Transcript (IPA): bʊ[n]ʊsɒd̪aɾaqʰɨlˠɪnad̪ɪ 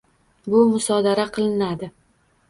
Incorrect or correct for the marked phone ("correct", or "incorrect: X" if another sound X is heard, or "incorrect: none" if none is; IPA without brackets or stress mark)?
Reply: incorrect: m